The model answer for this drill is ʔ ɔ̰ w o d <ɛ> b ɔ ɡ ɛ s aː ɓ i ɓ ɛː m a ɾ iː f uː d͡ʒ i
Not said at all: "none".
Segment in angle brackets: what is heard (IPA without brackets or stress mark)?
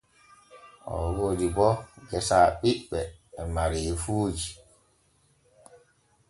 i